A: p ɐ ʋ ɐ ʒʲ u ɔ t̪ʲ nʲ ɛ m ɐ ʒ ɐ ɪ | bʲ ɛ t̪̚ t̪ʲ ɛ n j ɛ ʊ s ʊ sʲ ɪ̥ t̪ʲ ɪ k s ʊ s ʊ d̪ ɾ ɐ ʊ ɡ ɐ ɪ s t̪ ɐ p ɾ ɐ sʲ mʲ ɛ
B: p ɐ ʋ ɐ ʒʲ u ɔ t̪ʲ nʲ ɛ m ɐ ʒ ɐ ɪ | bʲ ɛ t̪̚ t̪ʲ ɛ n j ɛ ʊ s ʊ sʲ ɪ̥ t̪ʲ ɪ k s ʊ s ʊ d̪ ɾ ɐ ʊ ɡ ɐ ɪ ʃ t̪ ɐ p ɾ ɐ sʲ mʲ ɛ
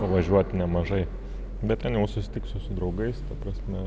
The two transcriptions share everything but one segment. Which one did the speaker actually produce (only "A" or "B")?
A